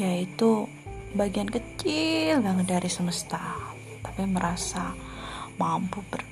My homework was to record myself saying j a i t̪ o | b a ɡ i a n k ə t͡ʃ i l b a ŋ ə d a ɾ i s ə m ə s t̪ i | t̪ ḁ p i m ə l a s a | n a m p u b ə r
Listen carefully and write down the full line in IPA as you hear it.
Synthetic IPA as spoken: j a i t̪ u | b a ɡ i a n k ə t͡ʃ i l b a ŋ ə d a ɾ i s ə m ə s t̪ a | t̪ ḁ p i m ə ɾ a s a | m a m p u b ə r